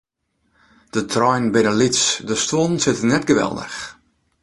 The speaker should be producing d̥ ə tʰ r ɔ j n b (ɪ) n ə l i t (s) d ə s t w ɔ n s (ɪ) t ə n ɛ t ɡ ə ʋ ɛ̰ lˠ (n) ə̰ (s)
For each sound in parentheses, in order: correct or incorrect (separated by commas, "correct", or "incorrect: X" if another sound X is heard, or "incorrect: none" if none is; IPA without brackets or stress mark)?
correct, correct, correct, incorrect: d, incorrect: x